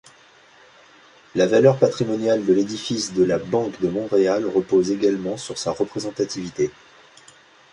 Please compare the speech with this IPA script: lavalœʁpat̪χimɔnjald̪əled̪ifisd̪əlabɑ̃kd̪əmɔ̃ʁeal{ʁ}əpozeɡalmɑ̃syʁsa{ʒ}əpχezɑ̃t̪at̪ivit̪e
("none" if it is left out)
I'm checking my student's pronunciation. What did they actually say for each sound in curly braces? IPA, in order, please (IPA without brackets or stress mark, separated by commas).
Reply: ʁ, ʁ